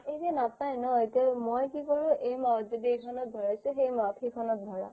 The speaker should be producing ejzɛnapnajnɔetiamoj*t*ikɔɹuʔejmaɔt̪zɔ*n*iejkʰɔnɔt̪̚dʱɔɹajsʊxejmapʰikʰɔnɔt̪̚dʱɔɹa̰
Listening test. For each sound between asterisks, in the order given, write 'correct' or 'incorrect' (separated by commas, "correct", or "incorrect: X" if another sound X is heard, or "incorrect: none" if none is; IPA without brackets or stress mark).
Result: incorrect: k, incorrect: d